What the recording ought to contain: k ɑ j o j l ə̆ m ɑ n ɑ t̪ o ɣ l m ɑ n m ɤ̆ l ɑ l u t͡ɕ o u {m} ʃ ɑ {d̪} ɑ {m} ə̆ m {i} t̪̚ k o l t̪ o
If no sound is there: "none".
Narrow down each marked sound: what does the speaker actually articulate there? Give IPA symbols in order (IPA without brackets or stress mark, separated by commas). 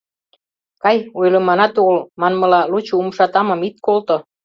m, t̪, m, i